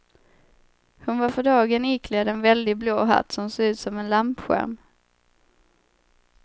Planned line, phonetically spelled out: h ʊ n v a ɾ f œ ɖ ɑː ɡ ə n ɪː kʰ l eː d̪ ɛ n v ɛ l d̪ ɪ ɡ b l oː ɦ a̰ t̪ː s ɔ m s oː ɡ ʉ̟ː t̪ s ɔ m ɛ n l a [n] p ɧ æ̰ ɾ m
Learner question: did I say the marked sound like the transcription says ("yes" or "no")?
no